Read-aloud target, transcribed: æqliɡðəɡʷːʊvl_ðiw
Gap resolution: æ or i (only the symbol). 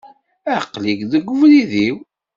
i